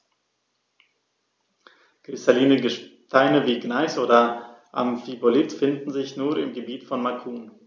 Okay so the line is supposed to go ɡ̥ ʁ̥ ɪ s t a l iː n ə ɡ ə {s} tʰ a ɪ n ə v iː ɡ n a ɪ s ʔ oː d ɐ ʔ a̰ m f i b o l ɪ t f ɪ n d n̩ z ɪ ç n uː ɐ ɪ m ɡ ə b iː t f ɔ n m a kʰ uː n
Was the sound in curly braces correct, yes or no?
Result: no